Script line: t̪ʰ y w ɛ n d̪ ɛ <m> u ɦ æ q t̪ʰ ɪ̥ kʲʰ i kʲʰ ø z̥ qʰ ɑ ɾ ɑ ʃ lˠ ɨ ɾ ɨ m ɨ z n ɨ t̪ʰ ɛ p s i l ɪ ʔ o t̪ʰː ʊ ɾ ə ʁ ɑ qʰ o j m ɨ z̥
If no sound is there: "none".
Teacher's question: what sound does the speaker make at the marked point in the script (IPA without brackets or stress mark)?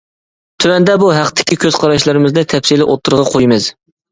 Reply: b